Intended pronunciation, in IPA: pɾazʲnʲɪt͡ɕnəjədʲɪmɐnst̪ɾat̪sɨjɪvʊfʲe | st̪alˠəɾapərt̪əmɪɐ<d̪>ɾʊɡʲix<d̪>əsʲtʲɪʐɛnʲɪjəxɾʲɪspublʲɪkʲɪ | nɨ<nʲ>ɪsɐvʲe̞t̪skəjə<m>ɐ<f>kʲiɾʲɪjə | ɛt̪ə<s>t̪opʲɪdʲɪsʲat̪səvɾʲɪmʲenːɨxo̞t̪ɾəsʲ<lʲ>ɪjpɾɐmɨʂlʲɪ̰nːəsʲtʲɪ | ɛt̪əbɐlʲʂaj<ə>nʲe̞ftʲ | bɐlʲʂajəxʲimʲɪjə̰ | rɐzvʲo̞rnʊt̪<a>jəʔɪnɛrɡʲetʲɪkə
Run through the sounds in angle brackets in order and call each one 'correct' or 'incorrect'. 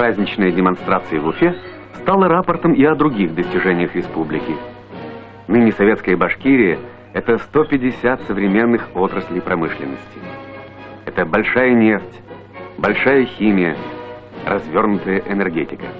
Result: correct, correct, correct, incorrect, incorrect, correct, correct, correct, incorrect

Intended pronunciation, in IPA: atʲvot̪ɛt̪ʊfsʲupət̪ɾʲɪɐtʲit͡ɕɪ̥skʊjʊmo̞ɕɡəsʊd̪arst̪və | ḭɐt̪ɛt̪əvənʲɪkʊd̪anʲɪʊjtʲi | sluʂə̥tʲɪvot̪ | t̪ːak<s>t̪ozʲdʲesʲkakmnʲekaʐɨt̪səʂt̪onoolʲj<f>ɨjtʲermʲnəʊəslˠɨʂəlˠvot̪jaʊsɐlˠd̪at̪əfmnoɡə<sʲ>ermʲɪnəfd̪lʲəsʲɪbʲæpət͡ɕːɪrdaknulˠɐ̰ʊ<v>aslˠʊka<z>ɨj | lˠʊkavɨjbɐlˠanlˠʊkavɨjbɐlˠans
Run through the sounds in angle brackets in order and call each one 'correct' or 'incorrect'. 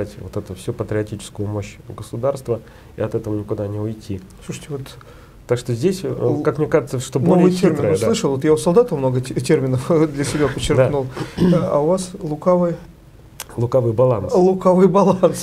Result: incorrect, incorrect, incorrect, correct, incorrect

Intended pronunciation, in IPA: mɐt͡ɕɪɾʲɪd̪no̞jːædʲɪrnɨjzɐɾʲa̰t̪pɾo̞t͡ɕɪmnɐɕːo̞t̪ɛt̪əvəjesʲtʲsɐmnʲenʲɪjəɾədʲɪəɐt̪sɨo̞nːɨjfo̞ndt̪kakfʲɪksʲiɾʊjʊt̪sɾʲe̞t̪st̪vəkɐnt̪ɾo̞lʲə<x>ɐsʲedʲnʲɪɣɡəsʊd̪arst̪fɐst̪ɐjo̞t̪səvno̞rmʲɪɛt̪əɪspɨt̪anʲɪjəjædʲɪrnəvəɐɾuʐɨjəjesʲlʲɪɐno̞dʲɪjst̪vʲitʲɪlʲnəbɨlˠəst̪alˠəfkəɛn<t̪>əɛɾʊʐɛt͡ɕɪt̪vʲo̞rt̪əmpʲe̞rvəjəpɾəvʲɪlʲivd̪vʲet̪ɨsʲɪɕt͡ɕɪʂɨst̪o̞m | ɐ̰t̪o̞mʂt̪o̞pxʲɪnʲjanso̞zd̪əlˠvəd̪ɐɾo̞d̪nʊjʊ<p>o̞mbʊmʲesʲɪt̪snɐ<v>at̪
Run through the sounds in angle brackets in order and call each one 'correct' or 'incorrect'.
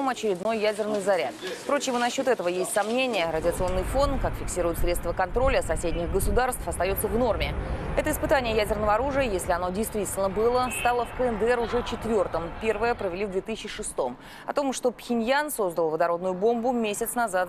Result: incorrect, incorrect, incorrect, incorrect

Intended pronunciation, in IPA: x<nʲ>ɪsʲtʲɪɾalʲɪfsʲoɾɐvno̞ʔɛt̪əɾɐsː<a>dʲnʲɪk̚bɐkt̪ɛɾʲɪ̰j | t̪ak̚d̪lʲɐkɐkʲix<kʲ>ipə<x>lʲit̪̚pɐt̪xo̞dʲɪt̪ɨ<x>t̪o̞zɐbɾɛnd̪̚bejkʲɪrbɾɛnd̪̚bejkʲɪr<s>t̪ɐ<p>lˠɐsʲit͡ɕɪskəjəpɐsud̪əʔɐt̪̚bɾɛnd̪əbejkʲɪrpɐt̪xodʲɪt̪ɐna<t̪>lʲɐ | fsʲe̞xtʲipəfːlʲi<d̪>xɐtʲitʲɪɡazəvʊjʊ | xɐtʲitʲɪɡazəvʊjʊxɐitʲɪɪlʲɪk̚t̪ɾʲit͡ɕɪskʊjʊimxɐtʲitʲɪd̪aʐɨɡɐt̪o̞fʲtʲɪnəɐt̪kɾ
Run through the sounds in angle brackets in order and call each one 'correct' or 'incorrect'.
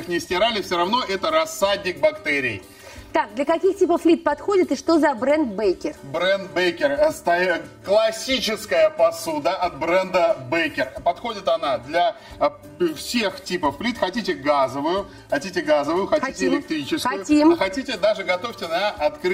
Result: correct, correct, incorrect, incorrect, incorrect, correct, incorrect, incorrect, incorrect

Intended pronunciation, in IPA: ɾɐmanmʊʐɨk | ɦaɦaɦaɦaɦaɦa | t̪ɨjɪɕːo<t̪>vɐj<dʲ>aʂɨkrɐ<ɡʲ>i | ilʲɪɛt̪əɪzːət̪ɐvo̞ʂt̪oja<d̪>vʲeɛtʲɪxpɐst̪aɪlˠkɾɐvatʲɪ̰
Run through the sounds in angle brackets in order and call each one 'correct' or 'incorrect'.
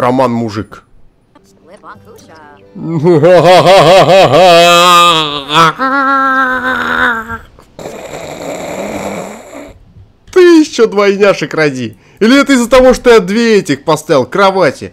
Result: incorrect, incorrect, incorrect, correct

